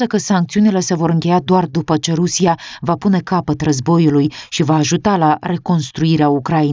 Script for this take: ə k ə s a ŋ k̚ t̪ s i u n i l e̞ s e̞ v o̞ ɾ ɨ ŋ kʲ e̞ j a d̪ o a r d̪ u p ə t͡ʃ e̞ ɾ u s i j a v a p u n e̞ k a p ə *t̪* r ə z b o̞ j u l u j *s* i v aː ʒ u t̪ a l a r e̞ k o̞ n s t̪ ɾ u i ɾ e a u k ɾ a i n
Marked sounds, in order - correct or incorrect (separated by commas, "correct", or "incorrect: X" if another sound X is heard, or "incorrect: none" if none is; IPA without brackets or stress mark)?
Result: correct, incorrect: ʃ